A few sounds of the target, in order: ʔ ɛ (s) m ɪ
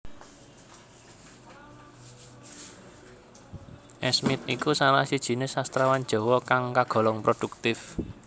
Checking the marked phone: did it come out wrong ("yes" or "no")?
no